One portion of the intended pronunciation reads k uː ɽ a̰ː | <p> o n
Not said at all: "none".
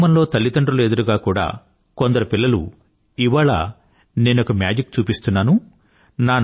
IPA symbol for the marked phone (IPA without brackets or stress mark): k